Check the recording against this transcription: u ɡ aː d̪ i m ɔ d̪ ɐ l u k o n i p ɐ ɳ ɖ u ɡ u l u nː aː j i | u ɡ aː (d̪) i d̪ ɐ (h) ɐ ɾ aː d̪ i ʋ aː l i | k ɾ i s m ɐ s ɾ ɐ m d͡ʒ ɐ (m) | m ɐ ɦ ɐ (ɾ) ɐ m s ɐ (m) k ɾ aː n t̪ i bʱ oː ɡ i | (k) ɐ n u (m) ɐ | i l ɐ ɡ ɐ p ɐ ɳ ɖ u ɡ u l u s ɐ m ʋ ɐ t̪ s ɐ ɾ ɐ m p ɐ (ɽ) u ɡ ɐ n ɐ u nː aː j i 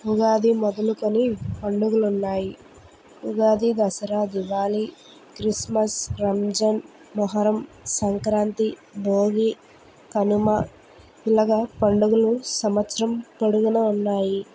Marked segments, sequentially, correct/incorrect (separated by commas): correct, incorrect, incorrect, correct, incorrect, correct, correct, correct